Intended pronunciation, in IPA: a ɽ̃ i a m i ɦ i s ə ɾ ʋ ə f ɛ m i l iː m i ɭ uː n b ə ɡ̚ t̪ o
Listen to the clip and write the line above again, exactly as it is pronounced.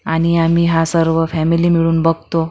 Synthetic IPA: a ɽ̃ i a m i ɦ a s ə ɾ ʋ ə f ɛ m i l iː m i ɭ uː n b ə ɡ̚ t̪ o